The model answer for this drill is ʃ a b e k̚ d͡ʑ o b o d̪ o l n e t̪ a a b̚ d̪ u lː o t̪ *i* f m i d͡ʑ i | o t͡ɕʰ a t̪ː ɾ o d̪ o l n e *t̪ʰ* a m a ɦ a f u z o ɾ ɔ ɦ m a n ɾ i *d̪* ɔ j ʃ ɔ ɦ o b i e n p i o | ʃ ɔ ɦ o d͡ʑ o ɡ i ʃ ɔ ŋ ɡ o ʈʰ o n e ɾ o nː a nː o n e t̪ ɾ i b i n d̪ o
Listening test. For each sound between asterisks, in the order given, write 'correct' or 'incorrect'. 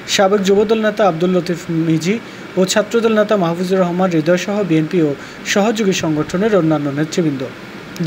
correct, incorrect, correct

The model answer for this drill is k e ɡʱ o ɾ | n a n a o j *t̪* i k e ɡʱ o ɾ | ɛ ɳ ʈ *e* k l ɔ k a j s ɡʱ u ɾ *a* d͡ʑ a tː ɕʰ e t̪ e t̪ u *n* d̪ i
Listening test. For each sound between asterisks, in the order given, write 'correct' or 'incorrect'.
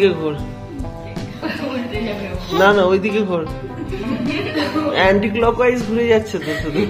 incorrect, incorrect, incorrect, incorrect

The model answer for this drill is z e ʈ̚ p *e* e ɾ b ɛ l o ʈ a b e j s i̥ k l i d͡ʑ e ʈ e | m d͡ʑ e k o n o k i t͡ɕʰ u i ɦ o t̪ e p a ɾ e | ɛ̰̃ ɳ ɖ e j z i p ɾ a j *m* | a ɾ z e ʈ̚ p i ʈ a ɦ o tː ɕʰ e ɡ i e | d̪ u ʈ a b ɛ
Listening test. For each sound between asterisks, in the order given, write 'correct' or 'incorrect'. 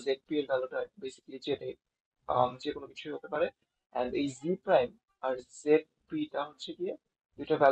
incorrect, correct

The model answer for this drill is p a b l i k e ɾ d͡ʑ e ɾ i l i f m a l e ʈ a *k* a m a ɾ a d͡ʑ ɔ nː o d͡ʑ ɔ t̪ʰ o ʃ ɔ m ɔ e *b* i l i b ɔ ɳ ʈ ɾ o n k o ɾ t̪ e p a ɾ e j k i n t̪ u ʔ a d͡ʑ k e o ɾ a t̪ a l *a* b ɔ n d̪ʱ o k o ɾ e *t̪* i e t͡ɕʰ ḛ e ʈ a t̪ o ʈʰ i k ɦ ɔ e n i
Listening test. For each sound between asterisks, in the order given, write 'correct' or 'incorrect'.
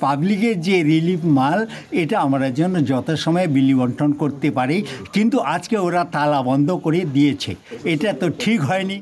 incorrect, correct, correct, incorrect

